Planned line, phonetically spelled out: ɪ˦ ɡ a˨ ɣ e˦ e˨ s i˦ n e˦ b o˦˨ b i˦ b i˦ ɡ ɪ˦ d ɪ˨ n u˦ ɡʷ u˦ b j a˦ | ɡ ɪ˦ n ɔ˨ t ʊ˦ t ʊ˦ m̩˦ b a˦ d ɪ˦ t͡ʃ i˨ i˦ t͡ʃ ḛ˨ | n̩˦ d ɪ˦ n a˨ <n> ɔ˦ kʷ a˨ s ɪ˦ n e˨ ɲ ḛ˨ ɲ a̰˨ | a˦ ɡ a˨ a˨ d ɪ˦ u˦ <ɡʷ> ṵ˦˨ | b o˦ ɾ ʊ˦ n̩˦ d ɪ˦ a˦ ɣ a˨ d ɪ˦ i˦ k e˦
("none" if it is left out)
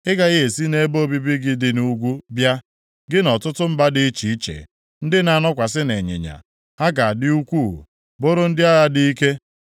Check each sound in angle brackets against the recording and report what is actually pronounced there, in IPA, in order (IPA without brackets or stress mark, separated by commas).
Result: n, kʷ